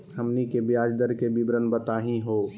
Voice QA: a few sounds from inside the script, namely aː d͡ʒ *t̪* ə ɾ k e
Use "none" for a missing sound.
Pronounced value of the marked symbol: d̪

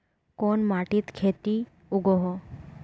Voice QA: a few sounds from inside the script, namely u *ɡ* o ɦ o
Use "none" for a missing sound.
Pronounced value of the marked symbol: ɡ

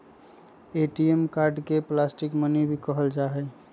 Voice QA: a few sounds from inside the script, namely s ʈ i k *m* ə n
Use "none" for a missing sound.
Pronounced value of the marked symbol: m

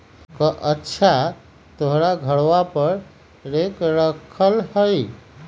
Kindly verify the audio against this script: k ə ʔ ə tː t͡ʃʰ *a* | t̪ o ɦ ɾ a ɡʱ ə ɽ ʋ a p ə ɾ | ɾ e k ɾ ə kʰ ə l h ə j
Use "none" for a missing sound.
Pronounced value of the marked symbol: a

